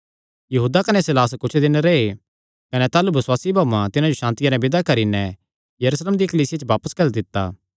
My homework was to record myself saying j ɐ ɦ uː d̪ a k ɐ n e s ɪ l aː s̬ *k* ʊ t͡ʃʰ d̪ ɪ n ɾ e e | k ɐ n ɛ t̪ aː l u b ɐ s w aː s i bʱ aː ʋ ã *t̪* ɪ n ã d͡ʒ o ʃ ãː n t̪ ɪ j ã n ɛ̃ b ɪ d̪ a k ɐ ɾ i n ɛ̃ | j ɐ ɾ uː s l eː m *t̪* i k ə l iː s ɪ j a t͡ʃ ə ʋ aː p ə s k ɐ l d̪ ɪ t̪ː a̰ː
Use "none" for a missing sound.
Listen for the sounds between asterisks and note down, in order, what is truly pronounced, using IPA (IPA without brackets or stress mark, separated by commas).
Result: k, t̪, d̪